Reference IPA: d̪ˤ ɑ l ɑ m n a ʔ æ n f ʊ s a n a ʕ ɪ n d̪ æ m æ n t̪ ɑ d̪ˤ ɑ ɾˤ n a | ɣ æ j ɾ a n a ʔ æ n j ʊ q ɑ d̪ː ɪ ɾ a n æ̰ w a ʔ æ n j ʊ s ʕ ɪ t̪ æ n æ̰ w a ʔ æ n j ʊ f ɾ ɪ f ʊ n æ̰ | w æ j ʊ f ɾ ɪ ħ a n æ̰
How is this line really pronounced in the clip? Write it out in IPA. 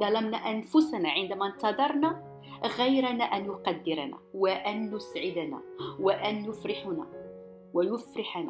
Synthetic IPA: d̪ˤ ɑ l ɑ m n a ʔ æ n f ʊ s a n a ʕ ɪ n d̪ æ m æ n t̪ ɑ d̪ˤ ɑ ɾˤ n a | ɣ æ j ɾ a n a ʔ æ n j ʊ q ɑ d̪ː ɪ ɾ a n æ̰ w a ʔ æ n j ʊ s ʕ ɪ d̪ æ n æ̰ w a ʔ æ n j ʊ f ɾ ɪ ħ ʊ n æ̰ | w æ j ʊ f ɾ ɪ ħ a n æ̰